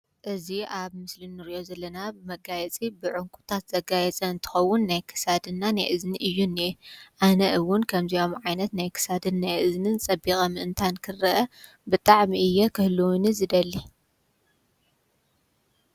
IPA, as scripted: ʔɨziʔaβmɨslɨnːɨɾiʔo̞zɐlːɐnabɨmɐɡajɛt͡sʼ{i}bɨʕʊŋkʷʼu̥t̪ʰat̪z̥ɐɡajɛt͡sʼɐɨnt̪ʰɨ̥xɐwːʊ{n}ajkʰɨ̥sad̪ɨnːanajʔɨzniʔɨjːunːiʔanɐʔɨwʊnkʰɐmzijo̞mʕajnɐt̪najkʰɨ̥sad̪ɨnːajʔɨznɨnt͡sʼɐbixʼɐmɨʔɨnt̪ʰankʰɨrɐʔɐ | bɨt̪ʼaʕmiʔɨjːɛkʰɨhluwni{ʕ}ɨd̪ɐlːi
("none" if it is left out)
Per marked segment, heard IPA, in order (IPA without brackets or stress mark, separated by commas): i, nː, z